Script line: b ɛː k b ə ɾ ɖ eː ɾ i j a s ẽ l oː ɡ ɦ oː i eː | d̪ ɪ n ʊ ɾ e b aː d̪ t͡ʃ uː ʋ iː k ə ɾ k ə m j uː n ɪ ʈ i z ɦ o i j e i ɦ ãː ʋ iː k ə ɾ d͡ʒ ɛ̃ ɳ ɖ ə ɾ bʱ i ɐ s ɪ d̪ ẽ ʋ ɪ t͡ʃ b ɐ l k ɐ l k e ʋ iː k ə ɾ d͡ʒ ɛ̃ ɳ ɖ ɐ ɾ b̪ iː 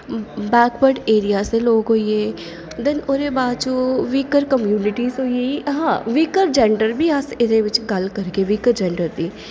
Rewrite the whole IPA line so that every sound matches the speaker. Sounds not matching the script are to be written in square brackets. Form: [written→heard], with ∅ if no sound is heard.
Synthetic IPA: b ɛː k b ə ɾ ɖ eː ɾ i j a s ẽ l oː ɡ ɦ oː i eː | d̪ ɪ n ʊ ɾ e b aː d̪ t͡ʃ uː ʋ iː k ə ɾ k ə m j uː n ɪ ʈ i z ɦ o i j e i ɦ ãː ʋ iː k ə ɾ d͡ʒ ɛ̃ ɳ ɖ ə ɾ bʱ i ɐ s ɪ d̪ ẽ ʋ ɪ t͡ʃ [b→ɡ] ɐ l k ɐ [l→ɾ] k e ʋ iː k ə ɾ d͡ʒ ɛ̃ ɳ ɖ [ɐ→ə] ɾ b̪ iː